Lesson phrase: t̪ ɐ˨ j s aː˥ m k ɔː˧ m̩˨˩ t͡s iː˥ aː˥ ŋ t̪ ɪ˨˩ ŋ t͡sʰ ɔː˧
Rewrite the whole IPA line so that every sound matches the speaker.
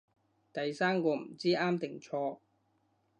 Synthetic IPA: t̪ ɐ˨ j s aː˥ m k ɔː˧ m̩˨˩ t͡s iː˥ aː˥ m t̪ ɪ˨˩ ŋ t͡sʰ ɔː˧